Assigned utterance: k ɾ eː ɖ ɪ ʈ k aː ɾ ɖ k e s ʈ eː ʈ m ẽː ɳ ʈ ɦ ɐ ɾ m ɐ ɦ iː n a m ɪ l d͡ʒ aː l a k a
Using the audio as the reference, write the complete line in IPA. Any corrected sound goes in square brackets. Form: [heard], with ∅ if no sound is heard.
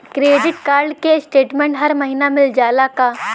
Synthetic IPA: k ɾ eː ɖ ɪ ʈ k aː ɾ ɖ k e s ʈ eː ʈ m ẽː ɳ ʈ ɦ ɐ ɾ m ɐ ɦ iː n a m ɪ l d͡ʒ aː l a k a